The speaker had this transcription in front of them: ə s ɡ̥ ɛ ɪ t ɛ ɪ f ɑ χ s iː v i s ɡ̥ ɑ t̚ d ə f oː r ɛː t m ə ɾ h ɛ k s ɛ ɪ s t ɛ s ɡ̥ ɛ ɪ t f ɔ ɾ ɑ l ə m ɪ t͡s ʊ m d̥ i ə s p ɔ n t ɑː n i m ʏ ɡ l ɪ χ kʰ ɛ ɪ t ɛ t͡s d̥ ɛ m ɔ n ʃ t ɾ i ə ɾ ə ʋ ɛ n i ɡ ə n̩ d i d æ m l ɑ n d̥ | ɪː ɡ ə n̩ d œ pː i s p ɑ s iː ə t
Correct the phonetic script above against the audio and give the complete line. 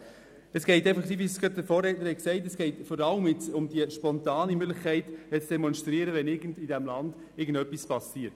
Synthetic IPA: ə s ɡ̥ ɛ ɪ t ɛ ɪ f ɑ χ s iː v i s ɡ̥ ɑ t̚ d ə f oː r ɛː t n ə ɾ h ɛ k s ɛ ɪ t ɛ s ɡ̥ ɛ ɪ t f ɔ ɾ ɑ l ə m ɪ t͡s ʊ m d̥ i ə ʃ p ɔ n t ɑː n i m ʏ ɡ l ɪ χ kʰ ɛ ɪ t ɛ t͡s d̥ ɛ m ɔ n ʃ t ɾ i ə ɾ ə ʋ ɛ n ɪ ɡ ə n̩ d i d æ m l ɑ n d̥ | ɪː ɡ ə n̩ d œ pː i s p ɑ s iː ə t